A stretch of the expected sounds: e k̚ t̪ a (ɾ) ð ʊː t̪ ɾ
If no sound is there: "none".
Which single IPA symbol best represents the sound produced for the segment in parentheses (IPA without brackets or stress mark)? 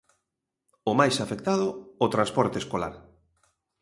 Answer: none